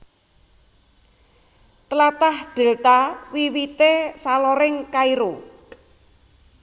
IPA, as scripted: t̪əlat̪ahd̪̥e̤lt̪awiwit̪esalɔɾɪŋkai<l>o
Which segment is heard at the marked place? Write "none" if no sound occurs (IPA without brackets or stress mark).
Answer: ɾ